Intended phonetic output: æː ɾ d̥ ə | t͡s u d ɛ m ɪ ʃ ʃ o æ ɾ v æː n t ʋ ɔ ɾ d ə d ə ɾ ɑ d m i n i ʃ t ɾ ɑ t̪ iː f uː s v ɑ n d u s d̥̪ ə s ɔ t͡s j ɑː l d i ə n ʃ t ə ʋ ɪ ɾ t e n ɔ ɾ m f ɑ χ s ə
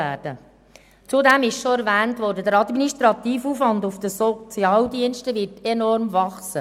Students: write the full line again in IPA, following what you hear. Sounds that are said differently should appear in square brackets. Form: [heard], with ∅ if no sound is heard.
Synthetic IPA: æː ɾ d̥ ə | t͡s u d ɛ m ɪ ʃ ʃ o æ ɾ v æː n t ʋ ɔ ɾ d ə d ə ɾ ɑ d m i n i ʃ t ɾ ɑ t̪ iː f uː [f] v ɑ n d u [f] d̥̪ ə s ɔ t͡s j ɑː l d i ə n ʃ t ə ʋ ɪ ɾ t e n ɔ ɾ m [v] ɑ χ s ə